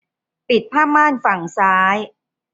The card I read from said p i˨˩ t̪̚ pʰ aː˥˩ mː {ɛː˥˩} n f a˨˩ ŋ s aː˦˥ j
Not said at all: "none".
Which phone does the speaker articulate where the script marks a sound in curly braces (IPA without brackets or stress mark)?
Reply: aː˥˩